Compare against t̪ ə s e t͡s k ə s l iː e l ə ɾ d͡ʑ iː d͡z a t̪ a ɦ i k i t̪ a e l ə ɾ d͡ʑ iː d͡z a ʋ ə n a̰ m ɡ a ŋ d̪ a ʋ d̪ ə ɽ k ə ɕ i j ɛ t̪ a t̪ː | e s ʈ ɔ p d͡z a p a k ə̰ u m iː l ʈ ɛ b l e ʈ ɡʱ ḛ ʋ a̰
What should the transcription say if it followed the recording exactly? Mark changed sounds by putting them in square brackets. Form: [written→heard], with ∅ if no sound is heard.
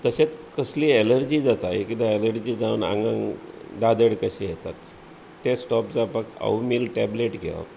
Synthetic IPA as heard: t̪ ə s e t͡s k ə s l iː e l ə ɾ d͡ʑ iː d͡z a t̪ a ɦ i k i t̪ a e l ə ɾ d͡ʑ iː d͡z a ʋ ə n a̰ [m→ŋ] ɡ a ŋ d̪ a [ʋ→∅] d̪ ə ɽ k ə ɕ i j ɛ t̪ a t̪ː | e s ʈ ɔ p d͡z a p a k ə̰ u m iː l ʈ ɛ b l e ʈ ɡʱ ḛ ʋ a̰